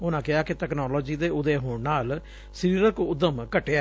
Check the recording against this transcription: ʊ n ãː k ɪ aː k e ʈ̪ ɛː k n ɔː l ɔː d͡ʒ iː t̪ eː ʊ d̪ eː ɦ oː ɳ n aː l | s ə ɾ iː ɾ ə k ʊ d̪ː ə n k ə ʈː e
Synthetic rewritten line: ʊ n ãː k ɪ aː k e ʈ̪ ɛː k n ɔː l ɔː d͡ʒ iː d̪ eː ʊ d̪ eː ɦ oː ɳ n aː l | s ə ɾ iː ɾ ə k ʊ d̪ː ə m k ə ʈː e